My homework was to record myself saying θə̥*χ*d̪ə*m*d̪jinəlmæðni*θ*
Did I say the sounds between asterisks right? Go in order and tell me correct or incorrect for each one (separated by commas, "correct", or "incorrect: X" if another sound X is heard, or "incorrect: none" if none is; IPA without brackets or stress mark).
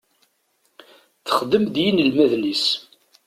correct, correct, incorrect: s